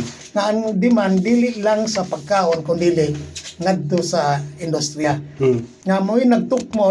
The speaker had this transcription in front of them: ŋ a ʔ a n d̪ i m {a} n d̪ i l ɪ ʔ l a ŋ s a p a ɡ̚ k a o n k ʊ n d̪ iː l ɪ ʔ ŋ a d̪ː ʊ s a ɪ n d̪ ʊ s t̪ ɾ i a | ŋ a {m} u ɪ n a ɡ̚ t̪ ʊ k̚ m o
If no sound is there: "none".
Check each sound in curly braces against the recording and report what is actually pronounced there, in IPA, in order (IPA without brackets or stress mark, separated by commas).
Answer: a, m